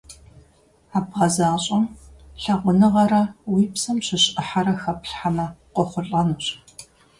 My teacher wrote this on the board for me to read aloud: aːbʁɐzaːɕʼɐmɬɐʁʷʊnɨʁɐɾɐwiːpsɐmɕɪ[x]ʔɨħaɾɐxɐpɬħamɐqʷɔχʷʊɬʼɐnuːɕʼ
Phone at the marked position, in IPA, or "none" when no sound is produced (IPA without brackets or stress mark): ɕ